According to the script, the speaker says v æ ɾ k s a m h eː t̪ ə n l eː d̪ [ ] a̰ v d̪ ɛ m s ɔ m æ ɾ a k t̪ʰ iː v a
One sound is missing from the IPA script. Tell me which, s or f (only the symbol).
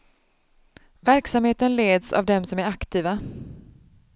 s